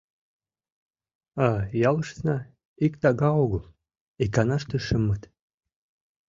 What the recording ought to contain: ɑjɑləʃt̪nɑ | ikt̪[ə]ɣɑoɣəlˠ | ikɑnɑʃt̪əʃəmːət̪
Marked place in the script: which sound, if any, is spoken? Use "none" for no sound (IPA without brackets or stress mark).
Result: ɑ